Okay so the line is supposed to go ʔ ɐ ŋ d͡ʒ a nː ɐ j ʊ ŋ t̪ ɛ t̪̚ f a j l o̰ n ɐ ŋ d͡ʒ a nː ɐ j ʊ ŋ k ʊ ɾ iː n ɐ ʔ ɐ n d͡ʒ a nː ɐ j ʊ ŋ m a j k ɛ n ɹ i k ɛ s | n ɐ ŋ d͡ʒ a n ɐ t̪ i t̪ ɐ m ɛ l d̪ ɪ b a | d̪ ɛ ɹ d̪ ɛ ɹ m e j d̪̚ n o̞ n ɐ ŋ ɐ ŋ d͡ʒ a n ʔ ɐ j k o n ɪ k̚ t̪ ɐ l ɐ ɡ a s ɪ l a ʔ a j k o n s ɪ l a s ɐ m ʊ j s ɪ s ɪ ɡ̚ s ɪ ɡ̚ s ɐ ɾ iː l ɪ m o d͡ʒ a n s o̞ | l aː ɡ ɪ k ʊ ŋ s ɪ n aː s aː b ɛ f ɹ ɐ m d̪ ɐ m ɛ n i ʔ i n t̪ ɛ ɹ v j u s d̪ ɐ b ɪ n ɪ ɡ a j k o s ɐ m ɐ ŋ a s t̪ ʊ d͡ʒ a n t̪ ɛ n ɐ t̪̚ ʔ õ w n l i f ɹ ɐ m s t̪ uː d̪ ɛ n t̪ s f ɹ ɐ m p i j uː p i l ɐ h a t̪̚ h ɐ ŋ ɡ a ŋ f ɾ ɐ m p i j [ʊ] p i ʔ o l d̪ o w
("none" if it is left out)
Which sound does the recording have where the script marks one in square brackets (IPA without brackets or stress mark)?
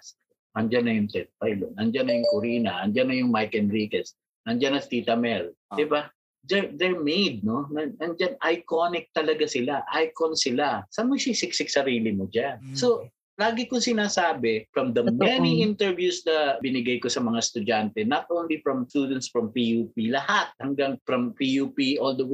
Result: u